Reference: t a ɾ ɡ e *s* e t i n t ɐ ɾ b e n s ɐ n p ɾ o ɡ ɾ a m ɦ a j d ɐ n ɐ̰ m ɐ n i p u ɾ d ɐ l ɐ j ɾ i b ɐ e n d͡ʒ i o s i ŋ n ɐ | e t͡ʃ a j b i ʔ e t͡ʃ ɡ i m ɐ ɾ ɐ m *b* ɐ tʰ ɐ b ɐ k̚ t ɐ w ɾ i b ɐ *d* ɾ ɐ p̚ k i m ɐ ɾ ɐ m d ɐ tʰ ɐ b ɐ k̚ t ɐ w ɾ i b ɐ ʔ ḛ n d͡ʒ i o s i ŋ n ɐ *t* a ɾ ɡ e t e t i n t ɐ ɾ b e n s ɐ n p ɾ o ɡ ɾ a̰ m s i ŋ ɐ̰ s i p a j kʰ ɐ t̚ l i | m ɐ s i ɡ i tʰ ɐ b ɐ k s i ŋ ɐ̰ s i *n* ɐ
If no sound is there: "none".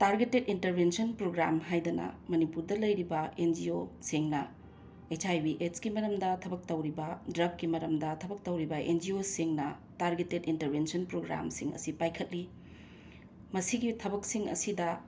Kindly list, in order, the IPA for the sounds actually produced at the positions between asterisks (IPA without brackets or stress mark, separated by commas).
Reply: t, d, d, t, d